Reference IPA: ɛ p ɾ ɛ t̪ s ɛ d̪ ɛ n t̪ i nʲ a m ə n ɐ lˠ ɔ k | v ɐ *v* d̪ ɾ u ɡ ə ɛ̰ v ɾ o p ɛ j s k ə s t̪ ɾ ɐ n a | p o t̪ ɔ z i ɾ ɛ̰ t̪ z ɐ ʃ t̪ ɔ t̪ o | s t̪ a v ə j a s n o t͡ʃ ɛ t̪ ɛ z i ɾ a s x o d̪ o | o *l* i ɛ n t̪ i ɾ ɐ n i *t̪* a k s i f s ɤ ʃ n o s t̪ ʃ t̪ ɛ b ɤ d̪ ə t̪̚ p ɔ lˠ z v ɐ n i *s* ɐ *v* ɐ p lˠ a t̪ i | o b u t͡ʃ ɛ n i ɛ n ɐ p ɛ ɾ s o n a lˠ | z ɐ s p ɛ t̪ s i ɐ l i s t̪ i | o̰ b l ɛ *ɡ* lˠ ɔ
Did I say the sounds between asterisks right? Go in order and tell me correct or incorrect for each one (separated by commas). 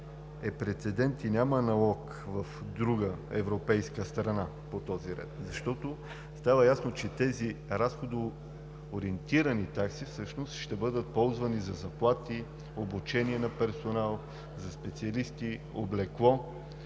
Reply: incorrect, incorrect, correct, incorrect, incorrect, incorrect